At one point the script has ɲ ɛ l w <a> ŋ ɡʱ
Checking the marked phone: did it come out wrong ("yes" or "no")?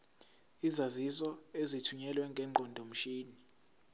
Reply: yes